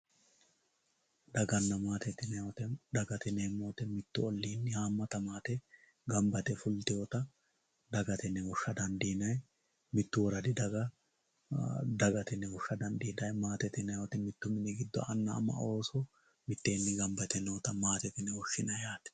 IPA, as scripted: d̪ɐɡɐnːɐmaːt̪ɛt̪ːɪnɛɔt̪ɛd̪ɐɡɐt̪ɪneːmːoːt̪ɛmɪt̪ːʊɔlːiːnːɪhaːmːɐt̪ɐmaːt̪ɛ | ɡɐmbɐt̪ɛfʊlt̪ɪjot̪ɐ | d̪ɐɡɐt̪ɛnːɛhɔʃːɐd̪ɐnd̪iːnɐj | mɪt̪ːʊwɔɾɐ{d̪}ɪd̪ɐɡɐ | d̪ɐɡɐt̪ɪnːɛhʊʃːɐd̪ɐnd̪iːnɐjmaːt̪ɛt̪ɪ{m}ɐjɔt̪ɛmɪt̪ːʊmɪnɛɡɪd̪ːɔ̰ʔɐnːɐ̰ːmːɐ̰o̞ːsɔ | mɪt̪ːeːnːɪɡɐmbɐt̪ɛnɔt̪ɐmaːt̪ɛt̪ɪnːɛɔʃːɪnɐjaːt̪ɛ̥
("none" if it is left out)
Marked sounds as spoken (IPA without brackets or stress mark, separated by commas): d̪, n